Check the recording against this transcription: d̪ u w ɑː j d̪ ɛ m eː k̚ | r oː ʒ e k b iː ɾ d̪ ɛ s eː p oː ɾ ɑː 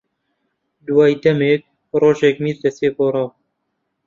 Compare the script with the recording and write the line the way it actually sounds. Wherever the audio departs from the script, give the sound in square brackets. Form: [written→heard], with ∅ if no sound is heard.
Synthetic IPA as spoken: d̪ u w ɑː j d̪ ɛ m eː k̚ | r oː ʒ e k [b→m] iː ɾ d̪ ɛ s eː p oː ɾ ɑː